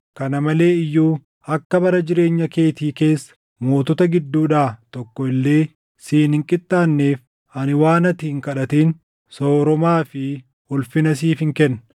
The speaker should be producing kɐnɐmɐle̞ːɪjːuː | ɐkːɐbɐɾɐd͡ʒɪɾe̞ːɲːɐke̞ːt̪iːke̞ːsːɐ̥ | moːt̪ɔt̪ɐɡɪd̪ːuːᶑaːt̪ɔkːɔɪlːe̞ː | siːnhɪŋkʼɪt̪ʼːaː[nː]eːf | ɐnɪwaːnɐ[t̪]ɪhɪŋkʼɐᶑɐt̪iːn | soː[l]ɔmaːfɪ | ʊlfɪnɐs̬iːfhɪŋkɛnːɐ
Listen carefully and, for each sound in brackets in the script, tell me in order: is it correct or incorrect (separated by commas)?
correct, correct, incorrect